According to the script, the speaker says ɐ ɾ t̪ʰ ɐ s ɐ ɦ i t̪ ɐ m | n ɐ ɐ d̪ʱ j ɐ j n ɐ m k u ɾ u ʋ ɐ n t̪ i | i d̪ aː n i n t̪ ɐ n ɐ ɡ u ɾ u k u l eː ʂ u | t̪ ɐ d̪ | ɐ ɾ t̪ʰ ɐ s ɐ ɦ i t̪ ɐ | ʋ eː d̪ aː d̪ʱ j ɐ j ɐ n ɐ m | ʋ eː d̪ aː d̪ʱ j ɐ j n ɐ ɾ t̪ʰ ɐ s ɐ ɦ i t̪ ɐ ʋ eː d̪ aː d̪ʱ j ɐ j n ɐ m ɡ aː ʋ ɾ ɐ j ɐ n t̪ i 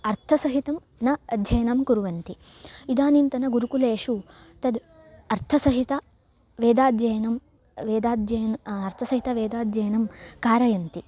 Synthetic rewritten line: ɐ ɾ t̪ʰ ɐ s ɐ ɦ i t̪ ɐ m | n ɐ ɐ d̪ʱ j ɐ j n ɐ m k u ɾ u ʋ ɐ n t̪ i | i d̪ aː n i n t̪ ɐ n ɐ ɡ u ɾ u k u l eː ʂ u | t̪ ɐ d̪ | ɐ ɾ t̪ʰ ɐ s ɐ ɦ i t̪ ɐ | ʋ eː d̪ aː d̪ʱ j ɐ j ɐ n ɐ m | ʋ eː d̪ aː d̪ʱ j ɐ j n ɐ ɾ t̪ʰ ɐ s ɐ ɦ i t̪ ɐ ʋ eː d̪ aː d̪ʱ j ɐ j n ɐ m k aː ɾ ɐ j ɐ n t̪ i